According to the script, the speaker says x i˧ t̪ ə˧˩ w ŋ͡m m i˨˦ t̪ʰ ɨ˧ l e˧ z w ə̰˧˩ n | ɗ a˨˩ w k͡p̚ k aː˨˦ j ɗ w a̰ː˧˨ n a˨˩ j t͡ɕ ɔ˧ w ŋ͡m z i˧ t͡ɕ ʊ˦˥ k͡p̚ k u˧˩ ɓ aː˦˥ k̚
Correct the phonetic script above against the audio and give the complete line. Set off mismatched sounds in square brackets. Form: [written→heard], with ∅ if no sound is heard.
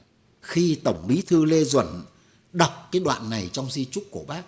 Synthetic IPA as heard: x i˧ t̪ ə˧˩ w ŋ͡m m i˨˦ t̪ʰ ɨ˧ l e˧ z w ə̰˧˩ n | ɗ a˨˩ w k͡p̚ k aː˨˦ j ɗ w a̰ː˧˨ [n→nː] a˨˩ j t͡ɕ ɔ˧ w ŋ͡m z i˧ t͡ɕ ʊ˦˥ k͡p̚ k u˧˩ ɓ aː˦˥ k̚